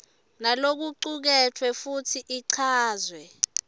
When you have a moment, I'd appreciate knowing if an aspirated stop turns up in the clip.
yes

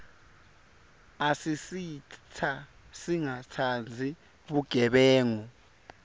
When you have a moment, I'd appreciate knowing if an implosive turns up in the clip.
yes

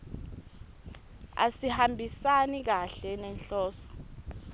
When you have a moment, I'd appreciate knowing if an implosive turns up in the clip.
no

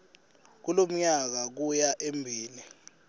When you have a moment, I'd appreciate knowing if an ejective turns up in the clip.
no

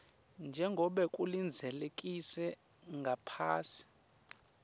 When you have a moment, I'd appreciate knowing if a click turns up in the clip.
no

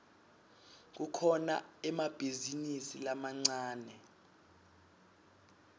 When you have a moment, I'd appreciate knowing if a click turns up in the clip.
yes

